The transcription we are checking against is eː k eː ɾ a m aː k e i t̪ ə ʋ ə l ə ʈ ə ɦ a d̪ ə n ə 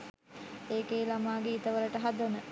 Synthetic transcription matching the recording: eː k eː l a m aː ɡ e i t̪ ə ʋ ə l ə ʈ ə ɦ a d̪ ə n ə